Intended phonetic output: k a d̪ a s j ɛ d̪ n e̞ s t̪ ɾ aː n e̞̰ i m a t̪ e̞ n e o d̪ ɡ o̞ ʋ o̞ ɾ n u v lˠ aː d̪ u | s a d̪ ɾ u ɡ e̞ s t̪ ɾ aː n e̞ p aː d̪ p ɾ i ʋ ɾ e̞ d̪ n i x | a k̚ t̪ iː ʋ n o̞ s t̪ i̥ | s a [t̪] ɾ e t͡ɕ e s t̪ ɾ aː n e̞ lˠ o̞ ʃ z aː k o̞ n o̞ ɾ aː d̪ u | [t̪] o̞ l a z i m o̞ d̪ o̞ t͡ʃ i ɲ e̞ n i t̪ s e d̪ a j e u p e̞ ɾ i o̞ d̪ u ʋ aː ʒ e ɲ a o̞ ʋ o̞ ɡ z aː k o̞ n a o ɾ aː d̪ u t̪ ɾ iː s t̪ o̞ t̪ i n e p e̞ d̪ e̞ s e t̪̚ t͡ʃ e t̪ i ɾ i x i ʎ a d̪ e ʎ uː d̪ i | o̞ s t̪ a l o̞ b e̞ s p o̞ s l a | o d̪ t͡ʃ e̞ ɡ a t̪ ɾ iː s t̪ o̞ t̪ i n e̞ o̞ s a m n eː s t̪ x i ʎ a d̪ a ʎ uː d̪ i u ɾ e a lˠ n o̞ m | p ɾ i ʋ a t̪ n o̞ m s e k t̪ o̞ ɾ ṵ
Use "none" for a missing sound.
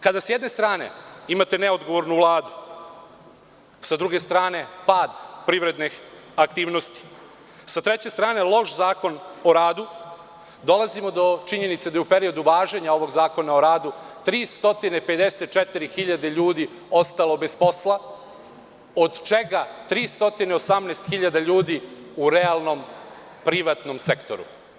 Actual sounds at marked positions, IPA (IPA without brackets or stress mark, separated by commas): t̪, d̪